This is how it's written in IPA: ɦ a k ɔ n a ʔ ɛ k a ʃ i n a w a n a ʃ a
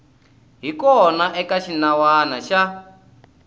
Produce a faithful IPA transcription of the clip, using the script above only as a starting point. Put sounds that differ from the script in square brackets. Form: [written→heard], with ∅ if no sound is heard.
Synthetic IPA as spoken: ɦ [a→i] k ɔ n a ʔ ɛ k a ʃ i n a w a n a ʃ a

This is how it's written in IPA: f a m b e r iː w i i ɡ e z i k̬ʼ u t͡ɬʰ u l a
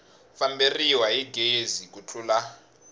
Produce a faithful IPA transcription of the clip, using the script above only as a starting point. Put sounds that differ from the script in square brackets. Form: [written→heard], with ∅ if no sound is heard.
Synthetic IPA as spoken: f a m b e r [iː→i] w [i→a] i ɡ e z i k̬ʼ u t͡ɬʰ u l a

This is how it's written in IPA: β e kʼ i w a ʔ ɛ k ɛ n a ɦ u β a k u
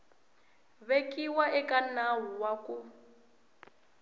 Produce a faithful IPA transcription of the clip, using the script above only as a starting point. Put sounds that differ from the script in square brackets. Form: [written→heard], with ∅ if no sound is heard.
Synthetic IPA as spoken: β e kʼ i w a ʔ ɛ k [ɛ→a] n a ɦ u [β→w] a k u

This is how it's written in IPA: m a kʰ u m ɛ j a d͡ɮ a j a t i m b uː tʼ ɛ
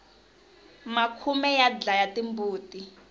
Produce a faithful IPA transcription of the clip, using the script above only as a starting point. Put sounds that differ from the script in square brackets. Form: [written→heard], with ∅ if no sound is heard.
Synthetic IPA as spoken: m a kʰ u m ɛ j a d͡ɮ a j a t i m b uː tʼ [ɛ→i]

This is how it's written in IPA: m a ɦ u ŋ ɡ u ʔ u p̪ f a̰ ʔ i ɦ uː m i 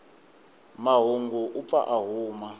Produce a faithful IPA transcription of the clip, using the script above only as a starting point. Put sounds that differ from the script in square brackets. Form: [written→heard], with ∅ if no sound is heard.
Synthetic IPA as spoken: m a ɦ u ŋ ɡ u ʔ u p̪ f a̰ ʔ [i→a] ɦ uː m [i→a]

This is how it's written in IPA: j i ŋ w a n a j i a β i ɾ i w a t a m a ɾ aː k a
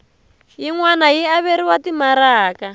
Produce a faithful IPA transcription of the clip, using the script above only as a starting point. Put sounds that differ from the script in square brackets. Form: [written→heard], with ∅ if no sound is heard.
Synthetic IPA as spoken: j i ŋ w a n a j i a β [i→e] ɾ i w a t [a→i] m a ɾ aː k a

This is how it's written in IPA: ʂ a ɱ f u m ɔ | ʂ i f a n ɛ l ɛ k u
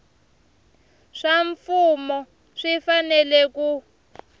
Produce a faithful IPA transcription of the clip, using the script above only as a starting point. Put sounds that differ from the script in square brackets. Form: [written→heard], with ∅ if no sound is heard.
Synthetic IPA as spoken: ʂ a ɱ f u m ɔ | ʂ i f a n ɛ l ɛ k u

